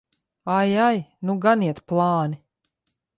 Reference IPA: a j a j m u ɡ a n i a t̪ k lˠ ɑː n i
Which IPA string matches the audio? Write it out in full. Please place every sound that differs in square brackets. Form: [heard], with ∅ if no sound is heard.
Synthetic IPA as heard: a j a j [n] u ɡ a n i [ɛ] t̪ [p] lˠ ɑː n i